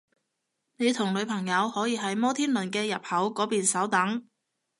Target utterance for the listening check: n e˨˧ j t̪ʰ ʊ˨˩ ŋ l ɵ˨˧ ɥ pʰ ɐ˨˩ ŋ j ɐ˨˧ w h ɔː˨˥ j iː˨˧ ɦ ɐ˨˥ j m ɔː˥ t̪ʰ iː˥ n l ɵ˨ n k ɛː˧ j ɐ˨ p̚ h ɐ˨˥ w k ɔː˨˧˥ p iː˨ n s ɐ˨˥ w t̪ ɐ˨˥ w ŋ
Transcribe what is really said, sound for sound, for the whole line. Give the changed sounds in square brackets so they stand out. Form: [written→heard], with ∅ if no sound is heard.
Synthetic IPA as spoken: n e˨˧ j t̪ʰ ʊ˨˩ ŋ l ɵ˨˧ ɥ pʰ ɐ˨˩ ŋ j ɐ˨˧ w h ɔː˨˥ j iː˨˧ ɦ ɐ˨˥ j m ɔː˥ t̪ʰ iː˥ n l ɵ˨ n k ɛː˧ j ɐ˨ p̚ h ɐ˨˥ w k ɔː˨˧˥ p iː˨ n s ɐ˨˥ w t̪ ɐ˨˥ [w→∅] ŋ